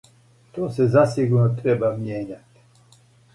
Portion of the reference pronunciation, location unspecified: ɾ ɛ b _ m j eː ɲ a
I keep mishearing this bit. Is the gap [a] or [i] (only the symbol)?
a